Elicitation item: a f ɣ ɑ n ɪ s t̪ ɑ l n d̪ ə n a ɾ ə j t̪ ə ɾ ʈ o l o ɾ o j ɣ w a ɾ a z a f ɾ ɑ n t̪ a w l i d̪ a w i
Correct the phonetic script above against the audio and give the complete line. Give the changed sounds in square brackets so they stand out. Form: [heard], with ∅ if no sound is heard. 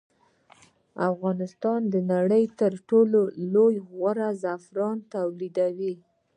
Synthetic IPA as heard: a f ɣ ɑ n ɪ s t̪ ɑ [∅] n d̪ ə n a [ɽ] ə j t̪ ə ɾ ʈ o l o [l] o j ɣ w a ɾ a z a f ɾ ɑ n t̪ a w l i d̪ a w i